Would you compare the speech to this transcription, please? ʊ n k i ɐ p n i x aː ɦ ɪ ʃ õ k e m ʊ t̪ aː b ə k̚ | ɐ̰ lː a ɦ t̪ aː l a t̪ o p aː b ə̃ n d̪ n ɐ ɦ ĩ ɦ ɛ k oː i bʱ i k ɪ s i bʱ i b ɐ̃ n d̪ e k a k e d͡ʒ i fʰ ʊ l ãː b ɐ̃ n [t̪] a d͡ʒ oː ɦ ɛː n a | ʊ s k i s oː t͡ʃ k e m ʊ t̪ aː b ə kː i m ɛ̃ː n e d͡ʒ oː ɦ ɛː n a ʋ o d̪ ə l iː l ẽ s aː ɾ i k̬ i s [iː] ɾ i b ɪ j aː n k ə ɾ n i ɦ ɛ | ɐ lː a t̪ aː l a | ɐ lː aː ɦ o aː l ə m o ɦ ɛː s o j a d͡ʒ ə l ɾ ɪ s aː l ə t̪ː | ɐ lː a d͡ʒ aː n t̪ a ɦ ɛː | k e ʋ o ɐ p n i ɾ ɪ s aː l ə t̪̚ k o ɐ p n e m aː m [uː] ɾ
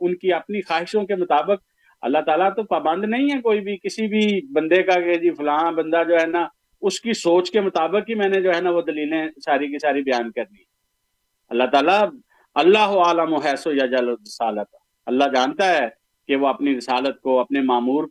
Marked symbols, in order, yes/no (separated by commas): no, no, yes